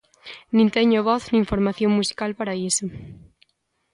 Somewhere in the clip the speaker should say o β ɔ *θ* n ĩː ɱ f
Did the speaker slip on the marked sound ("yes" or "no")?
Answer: no